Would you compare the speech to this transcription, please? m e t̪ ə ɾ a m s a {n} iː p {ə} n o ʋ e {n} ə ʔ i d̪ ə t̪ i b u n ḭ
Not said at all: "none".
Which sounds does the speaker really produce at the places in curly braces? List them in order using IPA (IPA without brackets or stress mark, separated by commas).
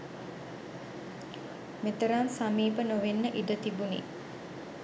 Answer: m, ə, nː